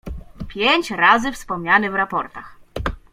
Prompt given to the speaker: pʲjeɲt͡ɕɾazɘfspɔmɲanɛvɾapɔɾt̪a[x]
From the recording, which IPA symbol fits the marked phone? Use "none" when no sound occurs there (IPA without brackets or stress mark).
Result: x